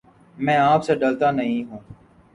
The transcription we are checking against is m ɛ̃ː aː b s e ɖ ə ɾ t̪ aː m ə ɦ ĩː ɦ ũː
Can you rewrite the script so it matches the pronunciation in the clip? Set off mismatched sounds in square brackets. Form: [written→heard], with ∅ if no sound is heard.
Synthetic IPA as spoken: m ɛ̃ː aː [b→p] s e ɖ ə [ɾ→l] t̪ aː [m→n] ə ɦ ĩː ɦ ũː